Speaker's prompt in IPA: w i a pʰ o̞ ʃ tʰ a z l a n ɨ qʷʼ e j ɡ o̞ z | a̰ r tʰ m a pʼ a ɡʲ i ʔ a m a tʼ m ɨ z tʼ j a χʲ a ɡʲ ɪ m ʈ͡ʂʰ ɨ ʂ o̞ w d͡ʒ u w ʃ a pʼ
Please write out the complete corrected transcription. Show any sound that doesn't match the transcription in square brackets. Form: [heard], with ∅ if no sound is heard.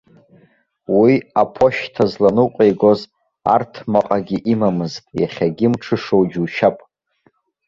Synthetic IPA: w i a pʰ o̞ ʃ tʰ a z l a n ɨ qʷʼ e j ɡ o̞ z | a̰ r tʰ m a [qʼ] a ɡʲ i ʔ [i] m a [∅] m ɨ z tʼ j a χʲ a ɡʲ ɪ m ʈ͡ʂʰ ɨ ʂ o̞ w d͡ʒ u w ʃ a pʼ